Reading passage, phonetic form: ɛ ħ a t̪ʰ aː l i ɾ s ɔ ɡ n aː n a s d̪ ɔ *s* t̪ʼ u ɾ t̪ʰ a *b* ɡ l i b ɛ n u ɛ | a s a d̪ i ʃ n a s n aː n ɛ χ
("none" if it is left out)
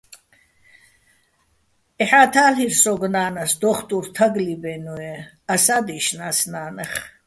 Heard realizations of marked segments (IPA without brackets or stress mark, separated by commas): χ, none